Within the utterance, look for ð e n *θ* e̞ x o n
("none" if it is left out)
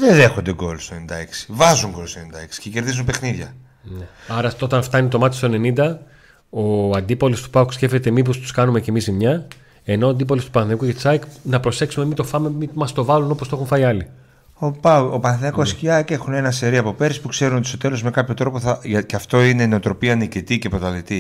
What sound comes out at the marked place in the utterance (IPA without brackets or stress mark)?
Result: ð